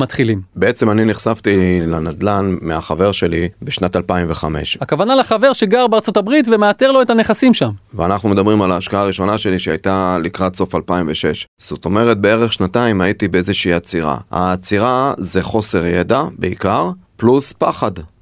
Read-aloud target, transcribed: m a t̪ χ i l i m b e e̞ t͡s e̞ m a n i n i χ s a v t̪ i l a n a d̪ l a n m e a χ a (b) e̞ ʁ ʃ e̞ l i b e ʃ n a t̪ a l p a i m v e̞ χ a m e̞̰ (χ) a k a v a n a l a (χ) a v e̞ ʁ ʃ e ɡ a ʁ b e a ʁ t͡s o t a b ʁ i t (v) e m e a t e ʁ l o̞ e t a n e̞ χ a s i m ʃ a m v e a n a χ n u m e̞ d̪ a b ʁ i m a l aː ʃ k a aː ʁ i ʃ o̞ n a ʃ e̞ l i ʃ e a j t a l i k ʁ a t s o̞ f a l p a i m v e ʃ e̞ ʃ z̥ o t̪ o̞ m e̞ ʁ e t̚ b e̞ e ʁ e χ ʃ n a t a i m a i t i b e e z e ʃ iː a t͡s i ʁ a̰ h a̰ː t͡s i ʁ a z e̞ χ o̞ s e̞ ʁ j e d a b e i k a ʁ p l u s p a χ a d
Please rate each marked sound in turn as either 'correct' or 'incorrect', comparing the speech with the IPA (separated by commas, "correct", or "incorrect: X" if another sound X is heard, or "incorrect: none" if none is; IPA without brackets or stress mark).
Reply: incorrect: v, incorrect: ʃ, correct, correct